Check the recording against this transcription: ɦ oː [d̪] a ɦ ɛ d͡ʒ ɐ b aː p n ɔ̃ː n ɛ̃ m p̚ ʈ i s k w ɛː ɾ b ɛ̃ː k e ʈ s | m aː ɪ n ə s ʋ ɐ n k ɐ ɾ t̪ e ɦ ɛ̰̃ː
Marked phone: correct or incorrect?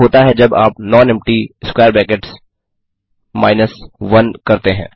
incorrect